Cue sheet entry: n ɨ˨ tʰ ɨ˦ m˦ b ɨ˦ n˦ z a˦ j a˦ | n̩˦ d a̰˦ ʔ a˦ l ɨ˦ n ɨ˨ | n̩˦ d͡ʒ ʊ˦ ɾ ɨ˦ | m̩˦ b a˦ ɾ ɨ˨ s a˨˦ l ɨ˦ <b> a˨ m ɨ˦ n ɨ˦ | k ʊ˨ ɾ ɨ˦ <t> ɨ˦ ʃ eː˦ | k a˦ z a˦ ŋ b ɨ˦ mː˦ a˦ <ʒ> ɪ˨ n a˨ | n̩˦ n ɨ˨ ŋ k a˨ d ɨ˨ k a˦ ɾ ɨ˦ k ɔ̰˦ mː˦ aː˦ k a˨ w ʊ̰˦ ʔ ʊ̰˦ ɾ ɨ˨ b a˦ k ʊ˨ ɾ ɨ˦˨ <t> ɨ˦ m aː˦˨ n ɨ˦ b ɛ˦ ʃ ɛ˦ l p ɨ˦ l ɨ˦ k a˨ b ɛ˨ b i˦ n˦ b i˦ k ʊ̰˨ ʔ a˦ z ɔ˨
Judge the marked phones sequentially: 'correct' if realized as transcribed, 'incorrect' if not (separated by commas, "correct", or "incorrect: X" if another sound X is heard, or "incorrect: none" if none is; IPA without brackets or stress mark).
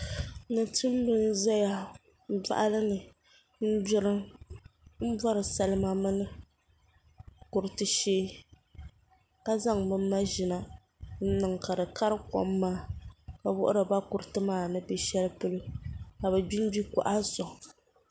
incorrect: m, correct, correct, correct